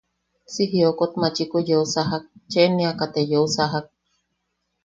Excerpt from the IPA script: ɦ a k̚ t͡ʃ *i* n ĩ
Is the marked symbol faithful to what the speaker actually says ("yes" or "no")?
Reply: no